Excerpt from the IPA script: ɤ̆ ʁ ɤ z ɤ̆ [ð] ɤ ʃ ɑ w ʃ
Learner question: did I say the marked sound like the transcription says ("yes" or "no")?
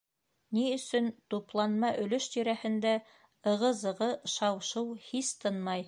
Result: no